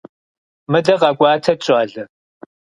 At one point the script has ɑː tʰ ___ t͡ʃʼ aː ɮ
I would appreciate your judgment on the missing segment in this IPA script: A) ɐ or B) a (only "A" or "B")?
A